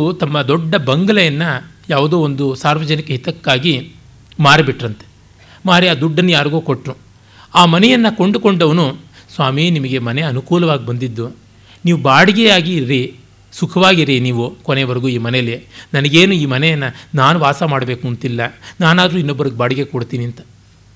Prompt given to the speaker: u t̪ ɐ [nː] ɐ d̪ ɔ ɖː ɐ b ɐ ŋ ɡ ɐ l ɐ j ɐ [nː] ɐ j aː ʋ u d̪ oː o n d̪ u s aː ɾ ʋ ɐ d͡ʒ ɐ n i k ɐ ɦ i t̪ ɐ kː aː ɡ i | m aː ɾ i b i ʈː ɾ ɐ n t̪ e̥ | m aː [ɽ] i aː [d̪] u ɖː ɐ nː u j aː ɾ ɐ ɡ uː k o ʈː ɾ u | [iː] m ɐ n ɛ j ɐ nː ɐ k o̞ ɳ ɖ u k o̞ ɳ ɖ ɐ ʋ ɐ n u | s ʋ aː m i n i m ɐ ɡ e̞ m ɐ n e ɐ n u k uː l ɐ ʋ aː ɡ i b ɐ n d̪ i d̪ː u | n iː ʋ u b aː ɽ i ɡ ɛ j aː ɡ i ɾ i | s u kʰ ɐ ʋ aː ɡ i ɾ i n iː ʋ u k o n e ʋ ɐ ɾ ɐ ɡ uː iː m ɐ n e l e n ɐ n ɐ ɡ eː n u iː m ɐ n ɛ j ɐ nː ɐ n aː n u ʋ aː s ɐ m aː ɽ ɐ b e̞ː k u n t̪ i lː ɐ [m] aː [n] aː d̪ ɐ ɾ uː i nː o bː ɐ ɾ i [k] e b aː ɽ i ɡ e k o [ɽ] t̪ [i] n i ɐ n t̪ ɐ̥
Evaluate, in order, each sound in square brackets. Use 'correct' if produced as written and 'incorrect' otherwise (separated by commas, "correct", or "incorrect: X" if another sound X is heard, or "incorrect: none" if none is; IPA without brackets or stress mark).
incorrect: mː, correct, incorrect: ɾ, correct, incorrect: aː, incorrect: n, correct, incorrect: ɡ, correct, incorrect: iː